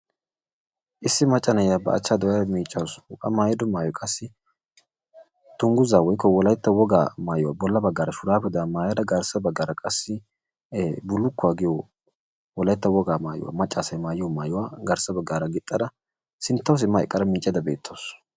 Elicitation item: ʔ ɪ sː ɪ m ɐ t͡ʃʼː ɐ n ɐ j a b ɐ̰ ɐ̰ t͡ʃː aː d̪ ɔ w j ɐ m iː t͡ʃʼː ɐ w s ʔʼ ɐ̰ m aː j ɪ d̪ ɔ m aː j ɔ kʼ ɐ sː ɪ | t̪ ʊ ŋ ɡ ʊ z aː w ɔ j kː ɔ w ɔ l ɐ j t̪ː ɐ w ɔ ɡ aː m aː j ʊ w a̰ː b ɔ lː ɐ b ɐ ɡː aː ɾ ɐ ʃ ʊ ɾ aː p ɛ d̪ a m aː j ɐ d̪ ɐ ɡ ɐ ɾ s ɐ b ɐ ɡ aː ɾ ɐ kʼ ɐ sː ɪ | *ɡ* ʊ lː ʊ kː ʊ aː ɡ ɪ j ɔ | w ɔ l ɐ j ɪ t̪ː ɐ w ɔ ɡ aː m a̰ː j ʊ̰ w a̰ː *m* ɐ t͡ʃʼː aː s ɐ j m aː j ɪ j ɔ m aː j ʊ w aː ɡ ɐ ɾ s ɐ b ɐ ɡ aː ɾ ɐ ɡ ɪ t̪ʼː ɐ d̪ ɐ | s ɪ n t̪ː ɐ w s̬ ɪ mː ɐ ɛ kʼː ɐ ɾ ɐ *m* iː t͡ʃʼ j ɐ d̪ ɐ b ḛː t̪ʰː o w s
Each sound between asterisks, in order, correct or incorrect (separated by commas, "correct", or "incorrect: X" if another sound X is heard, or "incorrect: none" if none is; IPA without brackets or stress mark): incorrect: b, correct, correct